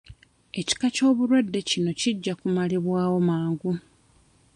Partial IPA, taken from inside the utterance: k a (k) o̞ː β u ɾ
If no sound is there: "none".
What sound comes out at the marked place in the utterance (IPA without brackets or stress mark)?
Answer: c